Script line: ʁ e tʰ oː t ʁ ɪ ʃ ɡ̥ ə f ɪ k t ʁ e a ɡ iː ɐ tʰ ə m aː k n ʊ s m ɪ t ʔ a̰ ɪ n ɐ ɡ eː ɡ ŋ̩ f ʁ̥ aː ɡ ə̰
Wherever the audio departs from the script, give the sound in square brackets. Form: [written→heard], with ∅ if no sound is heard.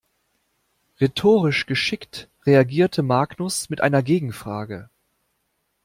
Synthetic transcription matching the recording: ʁ e tʰ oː [t→∅] ʁ ɪ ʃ ɡ̥ ə [f→ʃ] ɪ k t ʁ e a ɡ iː ɐ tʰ ə m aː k n ʊ s m ɪ t ʔ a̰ ɪ n ɐ ɡ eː ɡ ŋ̩ f ʁ̥ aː ɡ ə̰